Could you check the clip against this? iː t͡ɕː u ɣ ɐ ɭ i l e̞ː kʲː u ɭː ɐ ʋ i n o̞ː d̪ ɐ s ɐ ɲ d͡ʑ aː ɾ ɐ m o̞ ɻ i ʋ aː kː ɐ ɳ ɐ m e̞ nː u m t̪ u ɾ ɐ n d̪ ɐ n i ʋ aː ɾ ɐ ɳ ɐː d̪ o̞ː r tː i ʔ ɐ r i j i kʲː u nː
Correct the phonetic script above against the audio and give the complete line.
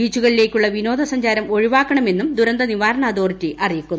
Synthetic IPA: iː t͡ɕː u ɣ ɐ ɭ i l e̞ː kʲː u ɭː ɐ ʋ i n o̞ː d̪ ɐ s ɐ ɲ d͡ʑ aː ɾ ɐ m o̞ ɻ i ʋ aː kː ɐ ɳ ɐ m e̞ nː u m d̪ u ɾ ɐ n d̪ ɐ n i ʋ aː ɾ ɐ ɳ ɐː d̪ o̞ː r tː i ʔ ɐ r i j i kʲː u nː